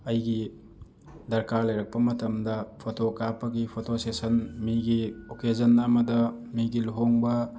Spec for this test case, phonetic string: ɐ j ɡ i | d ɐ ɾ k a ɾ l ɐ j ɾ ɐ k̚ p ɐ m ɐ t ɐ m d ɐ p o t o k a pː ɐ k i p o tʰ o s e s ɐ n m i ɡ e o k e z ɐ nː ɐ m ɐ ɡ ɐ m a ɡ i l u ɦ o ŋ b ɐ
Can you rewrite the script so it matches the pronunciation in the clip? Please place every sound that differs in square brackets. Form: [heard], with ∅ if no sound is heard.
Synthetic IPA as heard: ɐ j ɡ i | d ɐ ɾ k a ɾ l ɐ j ɾ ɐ k̚ p ɐ m ɐ t ɐ m d ɐ [pʰ] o t o k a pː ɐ [ɡ] i [pʰ] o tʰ o s e s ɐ n m i ɡ [i] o k e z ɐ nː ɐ m ɐ [d] ɐ m [i] ɡ i l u ɦ o ŋ b ɐ